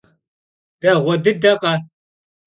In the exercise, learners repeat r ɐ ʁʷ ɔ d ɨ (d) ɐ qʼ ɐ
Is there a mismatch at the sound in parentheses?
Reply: no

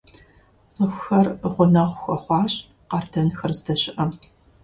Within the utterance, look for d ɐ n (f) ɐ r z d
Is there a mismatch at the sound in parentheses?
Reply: yes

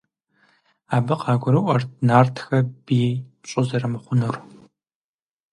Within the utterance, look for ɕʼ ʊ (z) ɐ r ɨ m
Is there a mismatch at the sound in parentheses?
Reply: no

